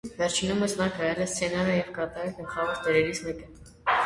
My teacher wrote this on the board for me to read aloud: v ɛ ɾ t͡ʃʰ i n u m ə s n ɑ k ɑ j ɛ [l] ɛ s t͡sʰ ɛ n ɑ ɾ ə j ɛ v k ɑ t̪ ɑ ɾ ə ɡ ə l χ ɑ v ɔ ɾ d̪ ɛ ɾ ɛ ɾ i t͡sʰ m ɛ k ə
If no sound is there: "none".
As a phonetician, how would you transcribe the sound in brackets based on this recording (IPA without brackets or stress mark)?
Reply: l